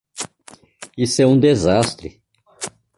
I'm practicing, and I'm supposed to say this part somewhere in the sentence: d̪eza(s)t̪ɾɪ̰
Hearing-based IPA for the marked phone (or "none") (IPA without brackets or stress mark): s